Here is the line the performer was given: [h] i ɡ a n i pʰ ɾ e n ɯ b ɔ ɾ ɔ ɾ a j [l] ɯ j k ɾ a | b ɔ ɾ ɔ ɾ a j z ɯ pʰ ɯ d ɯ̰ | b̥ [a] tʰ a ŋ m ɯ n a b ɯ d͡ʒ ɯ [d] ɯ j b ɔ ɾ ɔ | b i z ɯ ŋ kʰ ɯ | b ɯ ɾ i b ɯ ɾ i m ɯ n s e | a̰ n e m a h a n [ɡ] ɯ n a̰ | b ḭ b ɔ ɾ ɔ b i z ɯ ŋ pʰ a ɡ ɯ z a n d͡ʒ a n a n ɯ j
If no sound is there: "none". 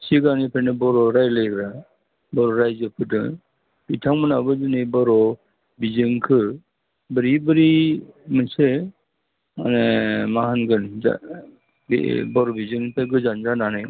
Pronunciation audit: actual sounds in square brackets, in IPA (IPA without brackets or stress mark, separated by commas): s, l, i, n, ɡ